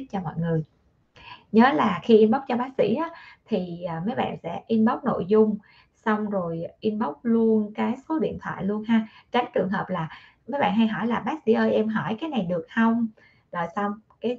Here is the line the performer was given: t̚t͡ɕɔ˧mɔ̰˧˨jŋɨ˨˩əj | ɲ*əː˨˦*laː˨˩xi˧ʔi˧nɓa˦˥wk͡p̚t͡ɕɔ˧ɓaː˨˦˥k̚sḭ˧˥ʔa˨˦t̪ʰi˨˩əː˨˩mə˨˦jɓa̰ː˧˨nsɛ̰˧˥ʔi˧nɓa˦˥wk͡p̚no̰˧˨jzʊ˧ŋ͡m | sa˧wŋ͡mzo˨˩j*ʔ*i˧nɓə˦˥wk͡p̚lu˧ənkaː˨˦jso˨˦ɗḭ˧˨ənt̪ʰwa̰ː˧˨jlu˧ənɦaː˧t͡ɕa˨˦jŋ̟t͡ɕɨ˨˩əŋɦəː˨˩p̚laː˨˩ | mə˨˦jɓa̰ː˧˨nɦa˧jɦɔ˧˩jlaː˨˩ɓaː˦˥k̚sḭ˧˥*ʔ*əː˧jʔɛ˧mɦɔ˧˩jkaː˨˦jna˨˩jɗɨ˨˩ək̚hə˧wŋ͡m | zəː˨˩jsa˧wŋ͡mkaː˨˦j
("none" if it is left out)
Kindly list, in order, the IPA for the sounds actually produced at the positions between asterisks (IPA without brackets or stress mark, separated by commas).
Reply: əː˨˦, ʔ, ʔ